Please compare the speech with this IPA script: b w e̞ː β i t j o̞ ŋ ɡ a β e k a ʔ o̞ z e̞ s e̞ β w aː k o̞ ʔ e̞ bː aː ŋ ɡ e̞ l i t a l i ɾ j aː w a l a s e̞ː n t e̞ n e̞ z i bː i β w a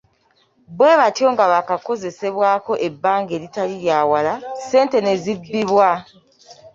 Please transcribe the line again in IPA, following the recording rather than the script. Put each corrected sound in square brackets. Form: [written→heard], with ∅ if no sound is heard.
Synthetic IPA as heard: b w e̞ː β [i→a] t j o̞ ŋ ɡ a β [e→a] k a [ʔ→k] o̞ z e̞ s e̞ β w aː k o̞ ʔ e̞ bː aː ŋ ɡ e̞ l i t a l i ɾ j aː w a l a s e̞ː n t e̞ n e̞ z i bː i β w a